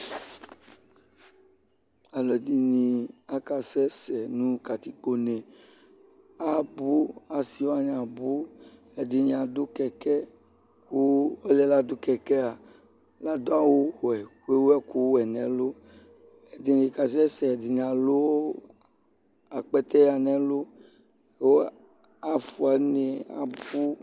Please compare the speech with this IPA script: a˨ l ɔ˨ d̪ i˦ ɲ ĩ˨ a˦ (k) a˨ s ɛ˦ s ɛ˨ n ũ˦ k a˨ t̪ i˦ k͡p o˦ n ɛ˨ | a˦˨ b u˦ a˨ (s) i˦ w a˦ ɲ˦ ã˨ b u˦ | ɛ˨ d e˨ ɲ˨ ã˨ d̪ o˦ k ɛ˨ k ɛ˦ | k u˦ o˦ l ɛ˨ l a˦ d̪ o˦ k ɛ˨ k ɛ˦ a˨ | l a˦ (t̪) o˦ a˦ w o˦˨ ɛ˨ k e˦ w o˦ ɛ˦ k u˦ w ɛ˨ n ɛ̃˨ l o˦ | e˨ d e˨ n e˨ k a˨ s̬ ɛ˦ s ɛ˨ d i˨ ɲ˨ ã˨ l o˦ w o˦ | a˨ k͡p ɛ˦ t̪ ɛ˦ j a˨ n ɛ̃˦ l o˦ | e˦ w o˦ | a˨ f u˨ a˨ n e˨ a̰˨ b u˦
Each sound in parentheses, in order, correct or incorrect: correct, correct, incorrect: d̪

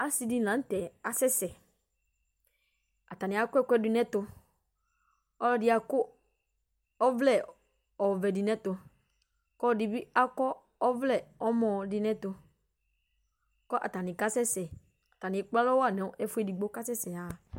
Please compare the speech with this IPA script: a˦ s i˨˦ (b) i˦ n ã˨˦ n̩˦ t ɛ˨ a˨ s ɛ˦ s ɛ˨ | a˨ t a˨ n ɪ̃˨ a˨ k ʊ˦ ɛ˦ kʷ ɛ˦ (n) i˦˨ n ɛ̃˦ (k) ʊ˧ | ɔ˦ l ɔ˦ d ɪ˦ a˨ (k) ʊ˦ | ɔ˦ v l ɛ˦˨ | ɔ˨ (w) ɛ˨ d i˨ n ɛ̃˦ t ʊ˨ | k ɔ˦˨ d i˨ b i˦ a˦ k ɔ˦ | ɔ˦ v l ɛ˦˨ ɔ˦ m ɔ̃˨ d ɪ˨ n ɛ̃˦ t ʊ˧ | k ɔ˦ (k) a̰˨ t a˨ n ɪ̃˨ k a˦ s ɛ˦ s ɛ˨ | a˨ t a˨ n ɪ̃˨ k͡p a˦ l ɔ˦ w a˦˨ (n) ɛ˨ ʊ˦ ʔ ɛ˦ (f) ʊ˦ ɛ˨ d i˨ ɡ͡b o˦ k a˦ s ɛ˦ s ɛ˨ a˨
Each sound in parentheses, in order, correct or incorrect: incorrect: d, incorrect: d, incorrect: t, correct, incorrect: v, incorrect: ʔ, correct, correct

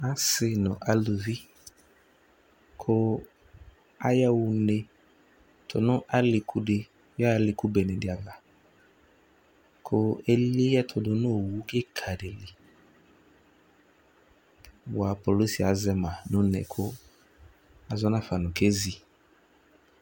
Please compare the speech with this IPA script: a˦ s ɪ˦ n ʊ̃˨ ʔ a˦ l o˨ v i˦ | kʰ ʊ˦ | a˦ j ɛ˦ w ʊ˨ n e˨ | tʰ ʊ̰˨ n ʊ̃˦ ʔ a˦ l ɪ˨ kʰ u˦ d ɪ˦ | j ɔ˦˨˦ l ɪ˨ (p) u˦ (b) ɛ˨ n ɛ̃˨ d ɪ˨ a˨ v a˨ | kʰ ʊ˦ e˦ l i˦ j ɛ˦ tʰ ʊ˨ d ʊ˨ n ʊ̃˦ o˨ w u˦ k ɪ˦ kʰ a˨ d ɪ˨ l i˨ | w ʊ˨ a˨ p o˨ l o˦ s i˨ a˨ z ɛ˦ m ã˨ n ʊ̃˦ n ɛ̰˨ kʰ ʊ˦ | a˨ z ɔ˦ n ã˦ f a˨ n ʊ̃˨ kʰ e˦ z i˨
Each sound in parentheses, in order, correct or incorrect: incorrect: k, correct

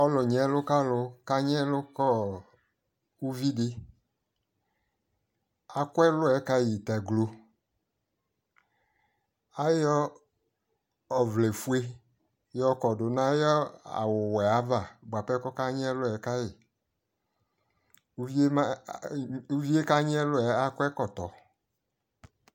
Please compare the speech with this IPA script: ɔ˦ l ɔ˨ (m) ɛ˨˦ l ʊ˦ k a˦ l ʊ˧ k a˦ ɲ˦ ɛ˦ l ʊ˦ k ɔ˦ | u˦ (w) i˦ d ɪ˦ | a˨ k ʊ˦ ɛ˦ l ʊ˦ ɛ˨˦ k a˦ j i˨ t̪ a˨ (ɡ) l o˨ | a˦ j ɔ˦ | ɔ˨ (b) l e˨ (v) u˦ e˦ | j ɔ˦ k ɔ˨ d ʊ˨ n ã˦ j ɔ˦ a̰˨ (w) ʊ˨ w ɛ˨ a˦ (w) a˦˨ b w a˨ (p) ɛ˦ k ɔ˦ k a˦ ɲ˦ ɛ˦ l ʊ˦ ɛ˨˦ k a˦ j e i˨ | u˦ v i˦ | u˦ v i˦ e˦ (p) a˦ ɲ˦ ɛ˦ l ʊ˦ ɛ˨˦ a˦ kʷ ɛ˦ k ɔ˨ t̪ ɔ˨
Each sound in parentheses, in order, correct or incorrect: incorrect: ɲ, incorrect: v, correct, incorrect: v, incorrect: f, correct, incorrect: v, correct, incorrect: k

